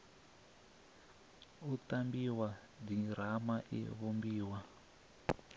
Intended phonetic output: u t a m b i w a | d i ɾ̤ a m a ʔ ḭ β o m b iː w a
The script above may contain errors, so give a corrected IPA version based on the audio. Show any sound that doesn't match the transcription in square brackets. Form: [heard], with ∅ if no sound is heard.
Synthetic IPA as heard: u t a m b i w a | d i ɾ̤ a m a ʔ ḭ β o m b iː w a